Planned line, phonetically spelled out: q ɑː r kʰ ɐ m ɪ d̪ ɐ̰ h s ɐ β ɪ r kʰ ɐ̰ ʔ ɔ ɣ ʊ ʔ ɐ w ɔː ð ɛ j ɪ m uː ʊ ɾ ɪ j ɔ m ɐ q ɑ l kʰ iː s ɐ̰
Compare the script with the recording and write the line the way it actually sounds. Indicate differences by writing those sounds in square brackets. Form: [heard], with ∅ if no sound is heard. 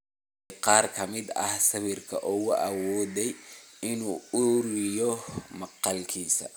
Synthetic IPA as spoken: q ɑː r kʰ ɐ m ɪ d̪ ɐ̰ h s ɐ β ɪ r kʰ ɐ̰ ʔ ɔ ɣ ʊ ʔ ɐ w ɔː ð ɛ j ɪ [n] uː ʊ ɾ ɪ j ɔ m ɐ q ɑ l kʰ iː s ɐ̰